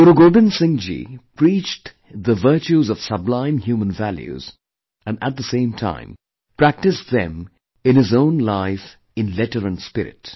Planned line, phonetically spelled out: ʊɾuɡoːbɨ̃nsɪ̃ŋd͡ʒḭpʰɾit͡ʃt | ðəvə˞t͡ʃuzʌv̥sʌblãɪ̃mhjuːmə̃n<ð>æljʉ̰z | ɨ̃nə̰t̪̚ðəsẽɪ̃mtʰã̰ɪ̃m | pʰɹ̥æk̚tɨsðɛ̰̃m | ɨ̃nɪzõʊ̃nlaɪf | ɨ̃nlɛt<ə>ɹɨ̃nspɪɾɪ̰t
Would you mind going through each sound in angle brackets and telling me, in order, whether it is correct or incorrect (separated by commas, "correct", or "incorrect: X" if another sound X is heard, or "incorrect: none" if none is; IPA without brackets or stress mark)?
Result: incorrect: v, correct